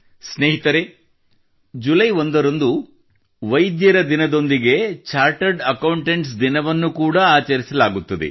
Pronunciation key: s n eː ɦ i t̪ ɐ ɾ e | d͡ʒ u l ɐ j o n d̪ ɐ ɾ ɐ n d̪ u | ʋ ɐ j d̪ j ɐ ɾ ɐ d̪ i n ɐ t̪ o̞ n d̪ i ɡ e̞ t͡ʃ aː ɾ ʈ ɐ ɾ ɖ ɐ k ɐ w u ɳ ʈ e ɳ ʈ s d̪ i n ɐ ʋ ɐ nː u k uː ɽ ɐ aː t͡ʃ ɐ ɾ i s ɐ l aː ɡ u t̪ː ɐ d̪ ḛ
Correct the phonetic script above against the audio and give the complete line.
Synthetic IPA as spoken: s n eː ɦ i t̪ ɐ ɾ e | d͡ʒ u l ɐ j o n d̪ ɐ ɾ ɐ n d̪ u | ʋ ɐ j d̪ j ɐ ɾ ɐ d̪ i n ɐ d̪ o̞ n d̪ i ɡ e̞ t͡ʃ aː ɾ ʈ ɐ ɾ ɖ ɐ k ɐ w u ɳ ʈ e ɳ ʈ s d̪ i n ɐ ʋ ɐ nː u k uː ɽ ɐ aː t͡ʃ ɐ ɾ i s ɐ l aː ɡ u t̪ː ɐ d̪ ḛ